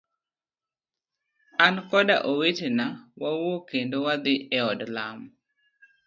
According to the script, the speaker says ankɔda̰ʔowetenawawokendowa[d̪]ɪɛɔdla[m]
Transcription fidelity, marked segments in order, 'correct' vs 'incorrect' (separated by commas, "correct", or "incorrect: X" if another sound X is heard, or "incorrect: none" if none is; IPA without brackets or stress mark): correct, correct